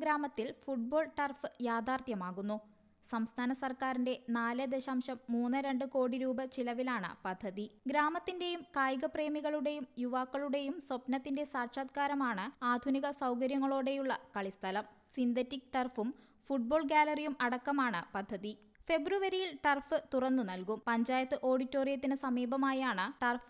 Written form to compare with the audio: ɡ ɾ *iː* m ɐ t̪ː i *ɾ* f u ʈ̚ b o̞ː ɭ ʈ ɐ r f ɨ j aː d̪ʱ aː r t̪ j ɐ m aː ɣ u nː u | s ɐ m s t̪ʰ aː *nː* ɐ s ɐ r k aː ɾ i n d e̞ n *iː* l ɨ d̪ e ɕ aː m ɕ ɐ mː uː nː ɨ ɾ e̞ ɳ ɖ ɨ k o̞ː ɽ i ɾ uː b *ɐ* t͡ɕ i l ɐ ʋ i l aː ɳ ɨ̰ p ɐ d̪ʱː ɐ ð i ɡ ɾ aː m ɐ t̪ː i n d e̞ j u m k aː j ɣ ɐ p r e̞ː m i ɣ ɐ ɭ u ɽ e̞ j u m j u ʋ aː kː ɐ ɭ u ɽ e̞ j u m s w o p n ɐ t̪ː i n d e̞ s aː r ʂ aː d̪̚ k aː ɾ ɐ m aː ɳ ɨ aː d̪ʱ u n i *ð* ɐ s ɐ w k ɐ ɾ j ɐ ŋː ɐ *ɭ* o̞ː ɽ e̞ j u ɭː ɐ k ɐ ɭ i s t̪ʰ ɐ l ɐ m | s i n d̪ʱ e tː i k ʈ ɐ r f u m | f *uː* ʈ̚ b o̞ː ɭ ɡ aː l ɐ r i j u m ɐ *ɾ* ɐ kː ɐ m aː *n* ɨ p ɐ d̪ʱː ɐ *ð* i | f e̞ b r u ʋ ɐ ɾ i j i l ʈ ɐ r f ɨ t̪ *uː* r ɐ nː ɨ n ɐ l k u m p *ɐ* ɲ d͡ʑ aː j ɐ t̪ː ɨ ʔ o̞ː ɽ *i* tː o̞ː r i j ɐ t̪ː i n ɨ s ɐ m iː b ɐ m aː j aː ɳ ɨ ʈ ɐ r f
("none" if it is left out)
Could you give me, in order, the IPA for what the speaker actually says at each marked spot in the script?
aː, l, n, aː, ɐ, ɣ, ɭ, u, ɽ, ɳ, ð, u, ɐ, i

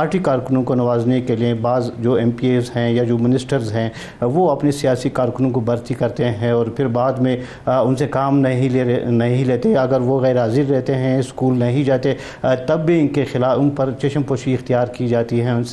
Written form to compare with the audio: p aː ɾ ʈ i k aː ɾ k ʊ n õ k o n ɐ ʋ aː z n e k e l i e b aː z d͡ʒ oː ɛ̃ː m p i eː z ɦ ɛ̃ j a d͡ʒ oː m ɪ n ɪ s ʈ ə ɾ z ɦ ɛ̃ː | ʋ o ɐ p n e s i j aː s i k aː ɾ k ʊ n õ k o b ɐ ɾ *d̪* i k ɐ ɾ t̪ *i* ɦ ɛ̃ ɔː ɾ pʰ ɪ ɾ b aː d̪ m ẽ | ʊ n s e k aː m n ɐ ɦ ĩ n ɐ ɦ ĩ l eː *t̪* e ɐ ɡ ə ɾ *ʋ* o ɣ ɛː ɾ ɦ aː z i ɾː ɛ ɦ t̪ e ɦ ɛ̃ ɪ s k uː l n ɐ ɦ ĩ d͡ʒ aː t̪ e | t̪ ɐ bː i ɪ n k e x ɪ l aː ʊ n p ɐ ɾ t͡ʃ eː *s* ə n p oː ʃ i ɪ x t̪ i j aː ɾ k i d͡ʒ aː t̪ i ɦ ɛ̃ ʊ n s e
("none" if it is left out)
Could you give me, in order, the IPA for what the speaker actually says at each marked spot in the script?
t̪, e, t̪, ʋ, ʃ

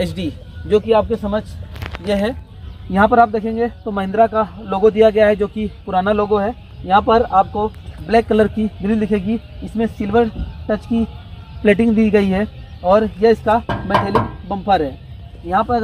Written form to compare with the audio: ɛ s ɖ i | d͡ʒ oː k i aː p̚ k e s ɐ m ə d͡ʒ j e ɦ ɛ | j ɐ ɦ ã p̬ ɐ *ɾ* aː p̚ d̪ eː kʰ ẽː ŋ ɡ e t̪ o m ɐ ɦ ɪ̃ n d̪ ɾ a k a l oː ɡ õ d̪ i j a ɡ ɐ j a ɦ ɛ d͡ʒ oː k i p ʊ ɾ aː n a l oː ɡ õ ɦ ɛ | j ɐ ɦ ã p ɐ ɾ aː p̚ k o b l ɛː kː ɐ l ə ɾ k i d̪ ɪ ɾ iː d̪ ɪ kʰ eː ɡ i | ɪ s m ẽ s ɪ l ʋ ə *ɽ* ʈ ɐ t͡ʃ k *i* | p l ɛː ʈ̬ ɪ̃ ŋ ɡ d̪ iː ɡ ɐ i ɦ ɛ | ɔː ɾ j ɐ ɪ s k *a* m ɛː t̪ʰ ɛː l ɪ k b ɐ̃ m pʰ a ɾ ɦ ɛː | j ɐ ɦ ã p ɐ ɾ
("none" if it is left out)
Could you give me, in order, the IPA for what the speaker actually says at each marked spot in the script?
ɾ, ɾ, i, a

